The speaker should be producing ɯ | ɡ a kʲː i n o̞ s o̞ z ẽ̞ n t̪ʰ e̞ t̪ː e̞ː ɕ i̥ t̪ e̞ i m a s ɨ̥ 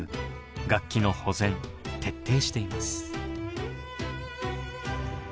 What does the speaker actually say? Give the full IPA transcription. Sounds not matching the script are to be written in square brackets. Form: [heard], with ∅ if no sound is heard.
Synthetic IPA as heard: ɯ | ɡ a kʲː i n o̞ [h] o̞ z ẽ̞ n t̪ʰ e̞ t̪ː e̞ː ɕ i̥ t̪ e̞ i m a s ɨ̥